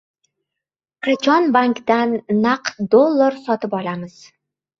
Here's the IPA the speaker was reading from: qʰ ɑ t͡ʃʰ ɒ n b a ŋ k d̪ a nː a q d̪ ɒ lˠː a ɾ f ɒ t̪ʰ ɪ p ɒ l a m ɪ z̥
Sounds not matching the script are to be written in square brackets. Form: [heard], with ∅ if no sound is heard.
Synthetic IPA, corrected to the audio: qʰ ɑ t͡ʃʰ ɒ n b a ŋ k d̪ a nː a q d̪ [o] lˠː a ɾ [s] ɒ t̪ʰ ɪ p ɒ l a m ɪ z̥